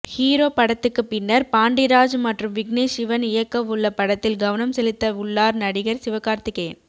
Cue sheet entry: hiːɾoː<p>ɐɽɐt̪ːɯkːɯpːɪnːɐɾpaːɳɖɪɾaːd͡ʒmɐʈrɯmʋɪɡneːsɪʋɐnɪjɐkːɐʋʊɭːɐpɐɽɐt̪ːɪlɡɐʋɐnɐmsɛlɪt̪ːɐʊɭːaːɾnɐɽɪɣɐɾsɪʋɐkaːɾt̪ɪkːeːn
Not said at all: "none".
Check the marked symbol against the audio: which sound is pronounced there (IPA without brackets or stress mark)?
p